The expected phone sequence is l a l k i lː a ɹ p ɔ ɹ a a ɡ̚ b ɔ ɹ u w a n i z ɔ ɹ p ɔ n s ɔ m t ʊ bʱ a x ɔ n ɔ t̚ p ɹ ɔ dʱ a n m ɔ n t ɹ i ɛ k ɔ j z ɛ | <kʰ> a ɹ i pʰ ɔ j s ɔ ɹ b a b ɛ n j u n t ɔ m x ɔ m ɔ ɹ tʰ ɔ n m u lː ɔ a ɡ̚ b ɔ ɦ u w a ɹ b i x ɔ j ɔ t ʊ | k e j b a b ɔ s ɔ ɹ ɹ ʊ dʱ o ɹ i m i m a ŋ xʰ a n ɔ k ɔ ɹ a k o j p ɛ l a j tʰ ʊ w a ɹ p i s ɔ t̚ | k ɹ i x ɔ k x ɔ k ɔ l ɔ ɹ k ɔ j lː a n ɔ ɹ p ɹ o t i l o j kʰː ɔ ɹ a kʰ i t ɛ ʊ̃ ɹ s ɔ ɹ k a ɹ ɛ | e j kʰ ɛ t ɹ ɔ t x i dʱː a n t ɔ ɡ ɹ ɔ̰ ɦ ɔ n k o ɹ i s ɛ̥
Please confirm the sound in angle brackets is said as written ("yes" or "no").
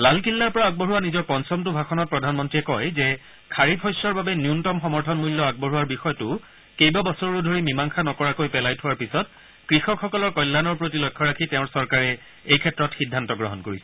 yes